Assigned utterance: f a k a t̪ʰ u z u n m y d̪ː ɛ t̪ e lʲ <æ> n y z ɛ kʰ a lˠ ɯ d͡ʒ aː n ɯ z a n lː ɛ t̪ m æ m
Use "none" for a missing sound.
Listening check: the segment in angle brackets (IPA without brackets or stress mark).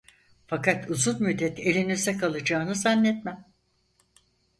i